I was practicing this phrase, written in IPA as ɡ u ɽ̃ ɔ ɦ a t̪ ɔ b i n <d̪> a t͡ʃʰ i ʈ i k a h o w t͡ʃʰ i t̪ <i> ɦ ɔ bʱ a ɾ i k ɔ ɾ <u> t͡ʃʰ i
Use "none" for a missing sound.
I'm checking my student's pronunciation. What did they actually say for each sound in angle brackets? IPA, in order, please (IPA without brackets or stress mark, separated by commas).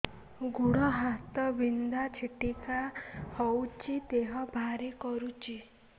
d̪, e, u